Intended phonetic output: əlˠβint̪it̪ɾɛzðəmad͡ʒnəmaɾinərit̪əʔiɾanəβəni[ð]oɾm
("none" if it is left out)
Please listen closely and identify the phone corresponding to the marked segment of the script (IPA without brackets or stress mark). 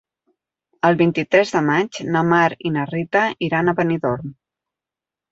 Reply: ð